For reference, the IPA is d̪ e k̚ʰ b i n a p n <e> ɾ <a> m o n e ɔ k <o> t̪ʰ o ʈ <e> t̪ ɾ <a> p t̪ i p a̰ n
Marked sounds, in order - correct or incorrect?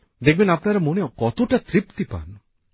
incorrect, incorrect, incorrect, incorrect, incorrect

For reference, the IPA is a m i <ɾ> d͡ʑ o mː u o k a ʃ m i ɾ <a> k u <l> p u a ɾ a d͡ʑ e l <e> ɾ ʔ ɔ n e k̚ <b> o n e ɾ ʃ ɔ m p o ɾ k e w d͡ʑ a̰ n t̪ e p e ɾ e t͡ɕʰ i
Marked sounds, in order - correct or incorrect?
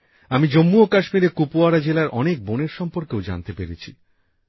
incorrect, incorrect, incorrect, incorrect, correct

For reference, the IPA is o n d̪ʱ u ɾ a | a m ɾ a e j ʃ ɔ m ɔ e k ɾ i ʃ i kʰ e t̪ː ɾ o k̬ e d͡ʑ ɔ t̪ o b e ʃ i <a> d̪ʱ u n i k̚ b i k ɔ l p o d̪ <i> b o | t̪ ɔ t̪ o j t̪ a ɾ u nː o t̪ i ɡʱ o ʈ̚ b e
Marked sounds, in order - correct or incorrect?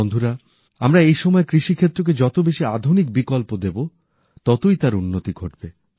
correct, incorrect

